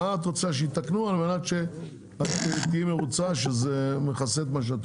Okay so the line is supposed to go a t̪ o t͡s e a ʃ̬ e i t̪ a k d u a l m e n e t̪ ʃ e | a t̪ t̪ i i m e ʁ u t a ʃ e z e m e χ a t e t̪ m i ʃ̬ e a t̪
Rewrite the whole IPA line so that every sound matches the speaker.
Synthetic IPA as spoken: a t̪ o t͡s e a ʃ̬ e i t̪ a k n u a l m e n a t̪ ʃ e | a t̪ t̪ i i m e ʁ u t͡s a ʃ e z e m e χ a s e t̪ m a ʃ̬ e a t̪

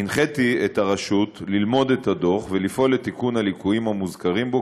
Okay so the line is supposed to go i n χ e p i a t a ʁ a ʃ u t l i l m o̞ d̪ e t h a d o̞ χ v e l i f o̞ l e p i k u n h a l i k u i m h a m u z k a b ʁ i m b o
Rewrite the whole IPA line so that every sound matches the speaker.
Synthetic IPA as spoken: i n χ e t i e t a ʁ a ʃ u t l i l m o̞ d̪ e t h a d o̞ χ v e l i f o̞ l e t i k u n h a l i k u i m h a m u z k a ʁ i m b o

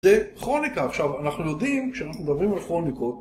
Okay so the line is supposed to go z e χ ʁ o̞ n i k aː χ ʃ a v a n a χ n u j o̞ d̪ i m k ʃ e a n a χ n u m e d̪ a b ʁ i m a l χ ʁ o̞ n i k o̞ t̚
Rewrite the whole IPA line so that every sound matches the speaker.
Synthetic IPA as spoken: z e χ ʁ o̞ n i k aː χ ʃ a v a n a χ n u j o̞ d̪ i m k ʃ e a n a χ n u m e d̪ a b ʁ i m a l χ ʁ o̞ n i k o̞ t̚

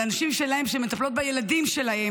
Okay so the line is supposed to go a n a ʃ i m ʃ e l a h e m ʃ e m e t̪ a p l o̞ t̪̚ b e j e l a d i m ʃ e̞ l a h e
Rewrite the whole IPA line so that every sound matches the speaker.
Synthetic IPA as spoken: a n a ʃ i m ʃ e l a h e m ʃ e m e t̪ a p l o̞ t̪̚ b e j e l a d i m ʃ e̞ l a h e

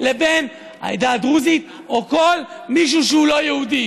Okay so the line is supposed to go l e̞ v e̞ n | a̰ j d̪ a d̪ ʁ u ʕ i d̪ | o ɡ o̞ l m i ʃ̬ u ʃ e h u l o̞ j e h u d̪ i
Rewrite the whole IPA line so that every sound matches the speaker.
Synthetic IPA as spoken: l e̞ b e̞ n | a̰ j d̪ a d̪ ʁ u z i t̪ | o k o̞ l m i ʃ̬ u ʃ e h u l o̞ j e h u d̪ i

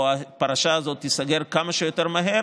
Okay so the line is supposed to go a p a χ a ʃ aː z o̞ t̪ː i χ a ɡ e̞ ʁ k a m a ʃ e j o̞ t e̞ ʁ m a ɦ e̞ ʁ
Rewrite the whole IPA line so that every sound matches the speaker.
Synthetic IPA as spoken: a p a ʁ a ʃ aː z o̞ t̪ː i s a ɡ e̞ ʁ k a m a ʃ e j o̞ t e̞ ʁ m a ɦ e̞ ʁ

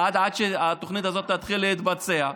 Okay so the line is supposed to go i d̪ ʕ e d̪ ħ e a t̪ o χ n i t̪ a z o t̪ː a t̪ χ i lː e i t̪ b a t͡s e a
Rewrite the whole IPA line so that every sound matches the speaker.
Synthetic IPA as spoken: a d̪ ʕ a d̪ ʃ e a t̪ o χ n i t̪ a z o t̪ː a t̪ χ i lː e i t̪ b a t͡s e a

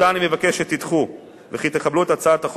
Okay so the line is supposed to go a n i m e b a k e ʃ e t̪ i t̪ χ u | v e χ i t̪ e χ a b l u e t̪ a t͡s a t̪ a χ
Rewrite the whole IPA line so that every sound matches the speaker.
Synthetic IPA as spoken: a n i m e v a k e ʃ e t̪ i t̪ χ u | v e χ i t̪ e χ a b l u e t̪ a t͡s a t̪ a χ

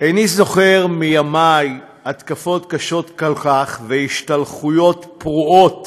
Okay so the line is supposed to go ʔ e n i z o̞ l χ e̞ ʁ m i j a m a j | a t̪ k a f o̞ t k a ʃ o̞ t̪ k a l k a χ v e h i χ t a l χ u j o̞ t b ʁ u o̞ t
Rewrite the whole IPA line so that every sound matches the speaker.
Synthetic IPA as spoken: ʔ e n i z o̞ χ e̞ ʁ m i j a m a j | a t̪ k a f o̞ t k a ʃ o̞ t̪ k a l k a χ v e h i ʃ t a l χ u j o̞ t p ʁ u o̞ t

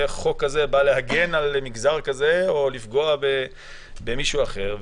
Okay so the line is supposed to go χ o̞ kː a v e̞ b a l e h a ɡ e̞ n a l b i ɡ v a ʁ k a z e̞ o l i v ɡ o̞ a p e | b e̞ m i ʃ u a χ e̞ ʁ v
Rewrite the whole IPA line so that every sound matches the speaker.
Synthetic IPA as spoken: χ o̞ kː a z e̞ b a l e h a ɡ e̞ n a l m i ɡ z a ʁ k a z e̞ o l i f ɡ o̞ a b e | b e̞ m i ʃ u a χ e̞ ʁ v

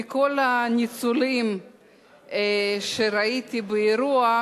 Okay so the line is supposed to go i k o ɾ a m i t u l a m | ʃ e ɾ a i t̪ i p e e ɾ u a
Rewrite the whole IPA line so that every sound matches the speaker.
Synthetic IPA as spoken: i k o l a n i t͡s u l i m | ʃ e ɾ a i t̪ i b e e ɾ u a

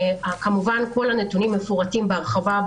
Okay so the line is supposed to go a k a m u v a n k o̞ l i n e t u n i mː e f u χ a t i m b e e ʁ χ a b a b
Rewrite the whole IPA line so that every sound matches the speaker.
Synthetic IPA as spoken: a k a m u v a n k o̞ l a n e t u n i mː e f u ʁ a t i m b e a ʁ χ a v a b

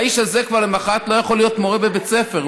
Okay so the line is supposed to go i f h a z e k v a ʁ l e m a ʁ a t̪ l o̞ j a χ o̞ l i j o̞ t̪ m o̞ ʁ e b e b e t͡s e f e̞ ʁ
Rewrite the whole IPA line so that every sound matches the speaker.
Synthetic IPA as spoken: i ʃ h a z e k v a ʁ l e m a χ a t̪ l o̞ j a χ o̞ l i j o̞ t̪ m o̞ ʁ e b e b e t͡s e f e̞ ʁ

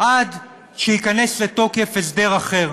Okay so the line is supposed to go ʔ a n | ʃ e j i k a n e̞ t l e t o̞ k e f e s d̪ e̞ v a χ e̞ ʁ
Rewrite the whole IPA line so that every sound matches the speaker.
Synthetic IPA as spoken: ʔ a d | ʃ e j i k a n e̞ s l e t o̞ k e f e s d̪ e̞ ʁ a χ e̞ ʁ

